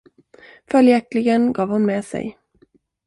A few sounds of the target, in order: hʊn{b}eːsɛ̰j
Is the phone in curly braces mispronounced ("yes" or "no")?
yes